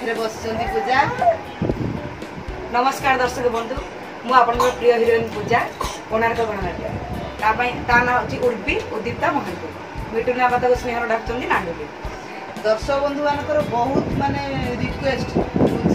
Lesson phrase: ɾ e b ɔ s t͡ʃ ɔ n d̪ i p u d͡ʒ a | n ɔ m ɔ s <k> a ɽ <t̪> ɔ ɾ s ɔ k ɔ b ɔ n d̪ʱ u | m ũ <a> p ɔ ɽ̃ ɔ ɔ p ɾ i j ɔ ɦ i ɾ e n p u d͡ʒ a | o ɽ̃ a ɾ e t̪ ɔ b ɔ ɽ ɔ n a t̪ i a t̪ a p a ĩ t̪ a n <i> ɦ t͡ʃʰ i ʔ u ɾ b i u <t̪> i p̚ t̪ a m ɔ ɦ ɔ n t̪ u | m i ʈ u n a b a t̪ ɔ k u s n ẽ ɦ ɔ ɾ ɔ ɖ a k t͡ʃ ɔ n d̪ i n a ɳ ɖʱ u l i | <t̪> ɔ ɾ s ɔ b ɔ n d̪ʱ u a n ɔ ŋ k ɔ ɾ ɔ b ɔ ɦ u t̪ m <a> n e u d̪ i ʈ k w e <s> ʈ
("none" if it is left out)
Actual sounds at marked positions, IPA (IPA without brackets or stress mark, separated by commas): k, d̪, a, a, d̪, d̪, a, s